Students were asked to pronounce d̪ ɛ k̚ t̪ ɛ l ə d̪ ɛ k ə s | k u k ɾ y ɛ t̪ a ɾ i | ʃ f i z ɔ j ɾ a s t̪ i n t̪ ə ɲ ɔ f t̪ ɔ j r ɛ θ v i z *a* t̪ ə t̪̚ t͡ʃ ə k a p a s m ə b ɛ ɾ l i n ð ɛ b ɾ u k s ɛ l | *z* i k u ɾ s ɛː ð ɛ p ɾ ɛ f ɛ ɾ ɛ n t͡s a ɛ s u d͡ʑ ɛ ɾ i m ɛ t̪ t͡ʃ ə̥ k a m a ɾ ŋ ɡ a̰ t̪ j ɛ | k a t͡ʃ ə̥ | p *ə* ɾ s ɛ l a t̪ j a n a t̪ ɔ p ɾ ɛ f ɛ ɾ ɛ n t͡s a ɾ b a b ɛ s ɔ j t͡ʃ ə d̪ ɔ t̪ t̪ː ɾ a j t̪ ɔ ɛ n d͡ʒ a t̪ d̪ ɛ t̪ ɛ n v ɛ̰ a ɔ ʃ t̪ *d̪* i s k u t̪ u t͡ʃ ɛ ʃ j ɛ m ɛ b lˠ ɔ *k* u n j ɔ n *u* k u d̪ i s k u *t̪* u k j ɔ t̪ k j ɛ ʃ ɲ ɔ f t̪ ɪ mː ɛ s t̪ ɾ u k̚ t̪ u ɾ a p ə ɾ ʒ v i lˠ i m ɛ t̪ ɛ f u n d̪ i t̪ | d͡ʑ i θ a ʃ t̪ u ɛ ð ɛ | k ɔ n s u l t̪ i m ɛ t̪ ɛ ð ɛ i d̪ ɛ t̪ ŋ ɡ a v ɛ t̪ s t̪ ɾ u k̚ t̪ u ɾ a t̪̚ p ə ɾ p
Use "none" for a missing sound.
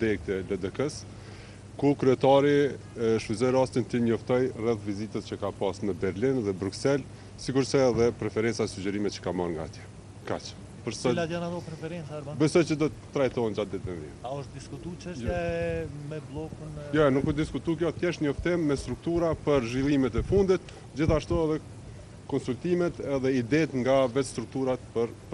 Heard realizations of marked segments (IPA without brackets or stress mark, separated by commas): i, s, ə, d̪, k, u, t̪